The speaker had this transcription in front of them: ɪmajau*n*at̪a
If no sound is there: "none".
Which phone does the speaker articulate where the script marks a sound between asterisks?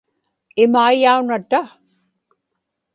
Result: n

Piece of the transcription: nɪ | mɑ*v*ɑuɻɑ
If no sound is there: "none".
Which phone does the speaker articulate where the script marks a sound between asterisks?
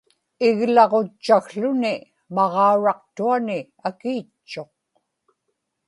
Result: ʁ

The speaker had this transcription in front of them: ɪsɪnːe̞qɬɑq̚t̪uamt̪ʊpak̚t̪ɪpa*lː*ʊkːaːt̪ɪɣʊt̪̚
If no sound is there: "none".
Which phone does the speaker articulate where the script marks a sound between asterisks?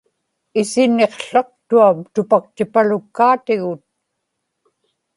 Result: l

